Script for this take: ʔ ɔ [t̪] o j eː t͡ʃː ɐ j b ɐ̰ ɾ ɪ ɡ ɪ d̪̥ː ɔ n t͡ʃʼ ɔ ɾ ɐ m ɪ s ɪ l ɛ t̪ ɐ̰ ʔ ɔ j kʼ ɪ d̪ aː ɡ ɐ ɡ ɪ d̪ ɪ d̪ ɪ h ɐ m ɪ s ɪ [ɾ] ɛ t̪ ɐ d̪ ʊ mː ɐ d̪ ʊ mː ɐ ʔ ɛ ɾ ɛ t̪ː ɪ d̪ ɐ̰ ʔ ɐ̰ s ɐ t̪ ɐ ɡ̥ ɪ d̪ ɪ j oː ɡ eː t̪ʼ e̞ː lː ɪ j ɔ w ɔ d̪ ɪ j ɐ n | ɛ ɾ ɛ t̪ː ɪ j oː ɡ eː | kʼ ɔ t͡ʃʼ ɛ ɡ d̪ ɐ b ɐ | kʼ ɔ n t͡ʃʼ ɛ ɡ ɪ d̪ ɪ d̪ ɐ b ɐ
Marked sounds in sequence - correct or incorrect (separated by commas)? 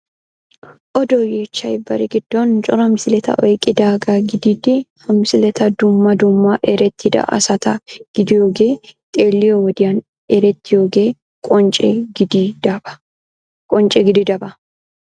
incorrect, incorrect